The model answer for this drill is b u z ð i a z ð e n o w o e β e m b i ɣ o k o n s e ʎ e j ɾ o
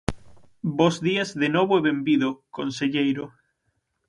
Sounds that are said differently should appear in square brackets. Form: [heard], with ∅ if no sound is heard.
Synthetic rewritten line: b [o] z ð i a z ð e n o [β] o e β e m b i [ð] o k o n s e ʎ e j ɾ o